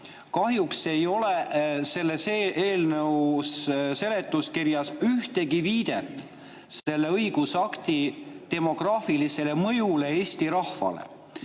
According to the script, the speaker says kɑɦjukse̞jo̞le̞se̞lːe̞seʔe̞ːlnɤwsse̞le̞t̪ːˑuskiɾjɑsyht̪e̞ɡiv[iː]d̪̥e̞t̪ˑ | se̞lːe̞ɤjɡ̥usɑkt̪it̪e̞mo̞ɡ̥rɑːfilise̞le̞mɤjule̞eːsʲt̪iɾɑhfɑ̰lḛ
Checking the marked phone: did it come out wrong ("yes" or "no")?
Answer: no